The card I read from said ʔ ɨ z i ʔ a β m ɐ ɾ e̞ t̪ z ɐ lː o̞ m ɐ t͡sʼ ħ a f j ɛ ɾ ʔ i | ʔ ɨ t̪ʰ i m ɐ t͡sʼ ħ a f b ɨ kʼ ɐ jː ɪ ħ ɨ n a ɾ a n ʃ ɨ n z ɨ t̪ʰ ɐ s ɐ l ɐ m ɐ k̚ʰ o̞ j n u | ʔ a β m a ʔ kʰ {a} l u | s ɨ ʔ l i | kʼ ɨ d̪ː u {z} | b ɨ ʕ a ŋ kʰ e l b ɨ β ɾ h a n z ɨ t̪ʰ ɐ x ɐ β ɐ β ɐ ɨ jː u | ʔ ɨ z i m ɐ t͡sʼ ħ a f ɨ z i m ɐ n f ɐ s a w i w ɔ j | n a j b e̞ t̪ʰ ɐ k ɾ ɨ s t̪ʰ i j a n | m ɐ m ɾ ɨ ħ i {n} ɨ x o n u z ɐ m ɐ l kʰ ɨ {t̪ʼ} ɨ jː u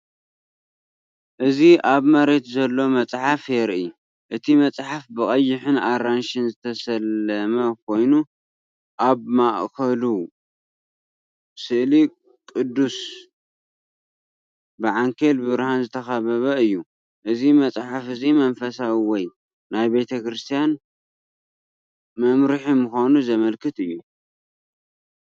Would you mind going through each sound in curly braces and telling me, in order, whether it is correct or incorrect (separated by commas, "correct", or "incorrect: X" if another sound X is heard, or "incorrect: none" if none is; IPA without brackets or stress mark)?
incorrect: ɐ, incorrect: s, incorrect: m, incorrect: t̪